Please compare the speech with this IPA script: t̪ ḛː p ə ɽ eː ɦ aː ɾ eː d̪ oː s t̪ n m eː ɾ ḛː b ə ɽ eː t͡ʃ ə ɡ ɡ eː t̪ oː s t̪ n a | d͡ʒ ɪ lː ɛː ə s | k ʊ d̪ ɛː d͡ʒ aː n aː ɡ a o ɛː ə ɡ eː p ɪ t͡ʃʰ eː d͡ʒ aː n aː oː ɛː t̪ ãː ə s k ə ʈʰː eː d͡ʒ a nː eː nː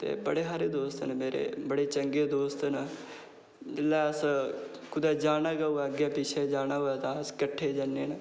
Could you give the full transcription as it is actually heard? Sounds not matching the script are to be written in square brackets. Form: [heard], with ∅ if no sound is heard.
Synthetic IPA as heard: t̪ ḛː [b] ə ɽ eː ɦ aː ɾ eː d̪ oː s t̪ n m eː ɾ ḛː b ə ɽ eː t͡ʃ ə [ŋ] ɡ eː [d̪] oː s t̪ n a | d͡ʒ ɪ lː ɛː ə s | k ʊ d̪ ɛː d͡ʒ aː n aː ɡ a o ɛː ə ɡ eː p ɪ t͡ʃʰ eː d͡ʒ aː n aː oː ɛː t̪ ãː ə s k ə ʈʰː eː d͡ʒ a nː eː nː